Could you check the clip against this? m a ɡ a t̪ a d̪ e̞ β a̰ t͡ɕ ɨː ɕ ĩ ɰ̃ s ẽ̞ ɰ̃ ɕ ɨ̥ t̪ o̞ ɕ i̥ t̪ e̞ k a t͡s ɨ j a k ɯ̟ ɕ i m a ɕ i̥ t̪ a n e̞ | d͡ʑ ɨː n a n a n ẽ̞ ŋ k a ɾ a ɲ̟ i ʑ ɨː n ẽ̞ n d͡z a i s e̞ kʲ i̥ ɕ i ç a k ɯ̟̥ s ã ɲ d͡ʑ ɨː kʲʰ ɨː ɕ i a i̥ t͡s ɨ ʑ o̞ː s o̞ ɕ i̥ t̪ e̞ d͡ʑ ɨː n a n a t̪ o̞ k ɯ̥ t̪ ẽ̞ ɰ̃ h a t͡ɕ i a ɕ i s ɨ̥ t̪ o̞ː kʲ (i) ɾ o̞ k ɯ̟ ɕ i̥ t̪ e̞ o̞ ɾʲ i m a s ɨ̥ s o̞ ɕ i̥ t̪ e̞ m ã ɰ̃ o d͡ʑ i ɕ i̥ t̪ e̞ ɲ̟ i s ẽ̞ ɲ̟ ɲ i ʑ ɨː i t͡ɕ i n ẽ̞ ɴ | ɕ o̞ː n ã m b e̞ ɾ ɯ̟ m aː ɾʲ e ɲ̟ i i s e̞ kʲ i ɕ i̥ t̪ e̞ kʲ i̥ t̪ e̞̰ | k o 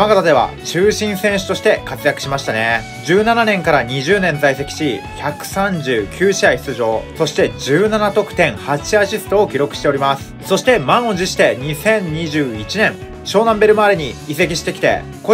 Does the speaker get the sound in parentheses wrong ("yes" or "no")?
no